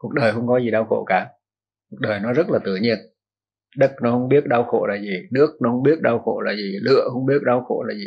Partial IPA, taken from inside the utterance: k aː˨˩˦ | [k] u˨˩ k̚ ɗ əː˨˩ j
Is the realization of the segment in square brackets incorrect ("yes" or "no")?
no